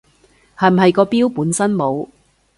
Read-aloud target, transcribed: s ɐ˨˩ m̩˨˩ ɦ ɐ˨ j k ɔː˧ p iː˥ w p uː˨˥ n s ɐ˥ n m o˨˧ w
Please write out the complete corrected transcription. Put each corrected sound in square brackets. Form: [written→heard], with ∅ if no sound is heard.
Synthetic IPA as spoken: [s→h] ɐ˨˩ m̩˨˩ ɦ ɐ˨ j k ɔː˧ p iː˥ w p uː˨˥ n s ɐ˥ n m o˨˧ w